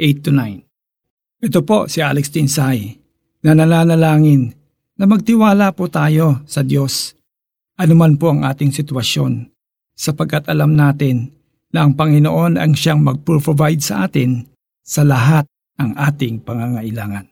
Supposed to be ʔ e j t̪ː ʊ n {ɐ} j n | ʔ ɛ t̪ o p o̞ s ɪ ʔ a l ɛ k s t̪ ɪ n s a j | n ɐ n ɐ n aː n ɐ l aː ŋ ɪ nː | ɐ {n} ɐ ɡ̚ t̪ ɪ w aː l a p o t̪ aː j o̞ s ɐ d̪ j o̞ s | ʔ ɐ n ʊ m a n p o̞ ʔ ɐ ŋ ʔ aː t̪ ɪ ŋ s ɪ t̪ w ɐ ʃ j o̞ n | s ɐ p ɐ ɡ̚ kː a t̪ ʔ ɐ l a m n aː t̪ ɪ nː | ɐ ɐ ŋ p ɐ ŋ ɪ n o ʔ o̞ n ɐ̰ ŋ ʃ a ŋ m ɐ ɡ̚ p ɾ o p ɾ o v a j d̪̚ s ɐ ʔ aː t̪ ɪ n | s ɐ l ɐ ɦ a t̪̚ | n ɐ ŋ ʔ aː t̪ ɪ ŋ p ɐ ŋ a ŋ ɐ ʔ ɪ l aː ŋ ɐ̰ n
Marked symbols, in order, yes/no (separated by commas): no, no